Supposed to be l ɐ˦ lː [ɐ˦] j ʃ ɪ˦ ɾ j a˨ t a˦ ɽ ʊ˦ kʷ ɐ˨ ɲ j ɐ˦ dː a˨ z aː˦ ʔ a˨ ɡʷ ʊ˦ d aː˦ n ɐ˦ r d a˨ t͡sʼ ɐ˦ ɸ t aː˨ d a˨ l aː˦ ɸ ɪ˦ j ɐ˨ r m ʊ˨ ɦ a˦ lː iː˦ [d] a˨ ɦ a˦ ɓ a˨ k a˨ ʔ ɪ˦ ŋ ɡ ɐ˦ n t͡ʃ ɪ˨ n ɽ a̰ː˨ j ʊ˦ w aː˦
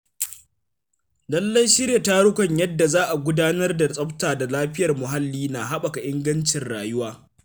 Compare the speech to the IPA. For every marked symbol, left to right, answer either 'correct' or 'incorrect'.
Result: correct, incorrect: n

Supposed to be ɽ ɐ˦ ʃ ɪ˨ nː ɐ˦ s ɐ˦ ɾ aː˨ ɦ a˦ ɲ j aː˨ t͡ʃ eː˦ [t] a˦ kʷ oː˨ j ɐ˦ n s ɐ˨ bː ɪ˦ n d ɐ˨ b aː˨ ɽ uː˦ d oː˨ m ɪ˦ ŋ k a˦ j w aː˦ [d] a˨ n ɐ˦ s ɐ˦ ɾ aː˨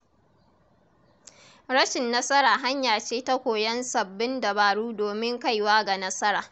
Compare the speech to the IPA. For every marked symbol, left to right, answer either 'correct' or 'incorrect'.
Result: correct, incorrect: ɡ

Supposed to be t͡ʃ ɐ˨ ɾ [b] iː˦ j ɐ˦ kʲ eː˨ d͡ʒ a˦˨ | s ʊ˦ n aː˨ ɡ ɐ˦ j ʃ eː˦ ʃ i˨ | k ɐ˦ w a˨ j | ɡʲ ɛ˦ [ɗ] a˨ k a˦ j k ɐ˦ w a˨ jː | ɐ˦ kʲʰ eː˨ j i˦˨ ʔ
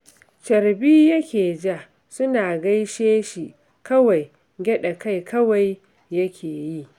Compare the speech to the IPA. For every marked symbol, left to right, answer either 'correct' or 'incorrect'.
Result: correct, correct

